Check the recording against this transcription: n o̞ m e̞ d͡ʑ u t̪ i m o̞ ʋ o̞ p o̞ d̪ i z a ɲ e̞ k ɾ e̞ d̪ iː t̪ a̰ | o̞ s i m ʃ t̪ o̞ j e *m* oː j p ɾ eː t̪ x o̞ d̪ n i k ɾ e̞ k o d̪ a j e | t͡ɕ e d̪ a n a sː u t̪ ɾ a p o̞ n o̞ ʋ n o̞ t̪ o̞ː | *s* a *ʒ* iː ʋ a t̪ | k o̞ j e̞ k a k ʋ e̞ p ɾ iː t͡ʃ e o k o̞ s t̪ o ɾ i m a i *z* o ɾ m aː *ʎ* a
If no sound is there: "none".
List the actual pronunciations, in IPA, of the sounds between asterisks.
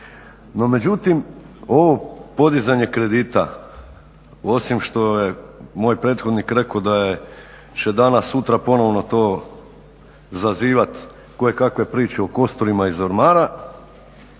m, z, z, z, ɾ

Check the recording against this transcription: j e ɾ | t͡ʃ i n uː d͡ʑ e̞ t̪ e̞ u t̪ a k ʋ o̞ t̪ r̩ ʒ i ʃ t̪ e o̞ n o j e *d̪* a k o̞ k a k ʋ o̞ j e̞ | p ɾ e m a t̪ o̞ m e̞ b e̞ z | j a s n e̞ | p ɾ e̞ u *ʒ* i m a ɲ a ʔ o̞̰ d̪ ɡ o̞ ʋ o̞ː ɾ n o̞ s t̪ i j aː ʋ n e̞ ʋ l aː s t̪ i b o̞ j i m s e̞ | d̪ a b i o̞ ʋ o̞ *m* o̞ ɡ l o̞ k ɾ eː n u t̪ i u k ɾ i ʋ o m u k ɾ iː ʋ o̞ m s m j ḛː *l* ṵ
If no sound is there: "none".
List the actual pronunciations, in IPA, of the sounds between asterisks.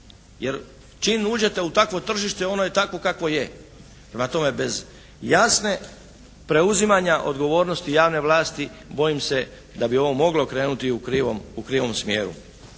t̪, z, m, ɾ

